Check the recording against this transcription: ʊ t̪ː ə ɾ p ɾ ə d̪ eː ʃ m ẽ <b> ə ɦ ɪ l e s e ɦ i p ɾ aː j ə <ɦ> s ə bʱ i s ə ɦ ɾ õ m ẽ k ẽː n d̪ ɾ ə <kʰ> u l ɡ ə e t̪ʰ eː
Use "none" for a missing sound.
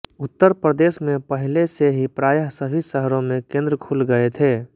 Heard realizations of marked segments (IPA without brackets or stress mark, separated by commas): p, ɦ, kʰ